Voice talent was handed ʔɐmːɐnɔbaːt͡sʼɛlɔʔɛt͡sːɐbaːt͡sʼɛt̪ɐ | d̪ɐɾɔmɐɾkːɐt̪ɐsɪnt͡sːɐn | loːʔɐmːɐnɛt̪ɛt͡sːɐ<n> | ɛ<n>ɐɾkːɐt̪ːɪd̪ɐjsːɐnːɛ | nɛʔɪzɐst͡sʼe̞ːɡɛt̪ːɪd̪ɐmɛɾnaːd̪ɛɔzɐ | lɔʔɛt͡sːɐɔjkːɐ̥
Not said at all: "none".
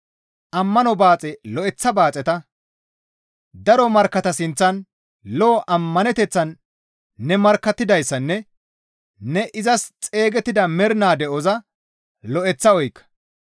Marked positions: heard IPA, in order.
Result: nː, m

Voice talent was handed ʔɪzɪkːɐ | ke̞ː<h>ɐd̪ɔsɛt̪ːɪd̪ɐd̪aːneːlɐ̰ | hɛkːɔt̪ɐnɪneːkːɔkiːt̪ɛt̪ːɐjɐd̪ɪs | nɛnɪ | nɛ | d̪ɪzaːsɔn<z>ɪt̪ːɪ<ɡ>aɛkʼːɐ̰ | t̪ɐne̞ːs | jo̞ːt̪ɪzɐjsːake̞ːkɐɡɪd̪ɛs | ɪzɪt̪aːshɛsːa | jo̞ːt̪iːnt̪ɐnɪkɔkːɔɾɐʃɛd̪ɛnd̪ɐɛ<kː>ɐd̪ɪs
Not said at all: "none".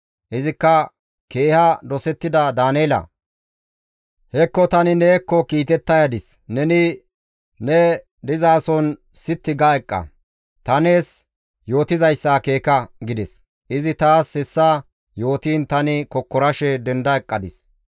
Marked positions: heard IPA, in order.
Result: h, s, ɡ, kʼː

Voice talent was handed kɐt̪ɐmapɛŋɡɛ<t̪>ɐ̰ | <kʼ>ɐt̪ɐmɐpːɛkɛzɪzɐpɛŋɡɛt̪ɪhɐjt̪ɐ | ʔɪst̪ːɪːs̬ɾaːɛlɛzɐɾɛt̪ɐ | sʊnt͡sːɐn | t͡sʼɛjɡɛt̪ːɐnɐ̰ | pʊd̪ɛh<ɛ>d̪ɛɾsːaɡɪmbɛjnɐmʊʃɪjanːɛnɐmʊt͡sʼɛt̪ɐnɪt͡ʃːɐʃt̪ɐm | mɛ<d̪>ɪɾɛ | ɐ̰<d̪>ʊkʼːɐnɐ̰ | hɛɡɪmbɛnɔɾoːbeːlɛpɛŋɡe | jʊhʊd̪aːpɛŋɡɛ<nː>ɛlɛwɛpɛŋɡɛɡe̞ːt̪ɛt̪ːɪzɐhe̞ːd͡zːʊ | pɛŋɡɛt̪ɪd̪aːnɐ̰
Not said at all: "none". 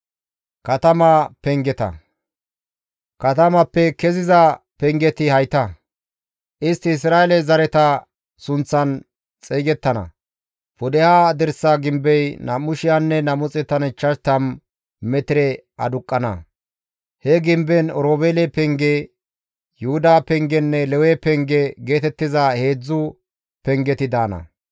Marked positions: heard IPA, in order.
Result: t̪, k, a, t̪, d̪, nː

